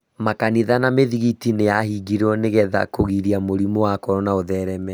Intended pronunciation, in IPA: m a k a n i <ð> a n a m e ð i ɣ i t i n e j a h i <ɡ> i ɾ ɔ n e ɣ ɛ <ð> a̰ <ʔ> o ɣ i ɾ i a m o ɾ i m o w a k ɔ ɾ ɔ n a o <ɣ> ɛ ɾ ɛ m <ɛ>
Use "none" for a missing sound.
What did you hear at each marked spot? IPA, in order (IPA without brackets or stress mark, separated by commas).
ð, ɡ, ð, k, ð, ɛ